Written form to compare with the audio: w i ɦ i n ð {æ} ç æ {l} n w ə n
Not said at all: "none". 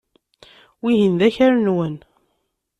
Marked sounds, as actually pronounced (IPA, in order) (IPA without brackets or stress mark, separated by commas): æ, ɾ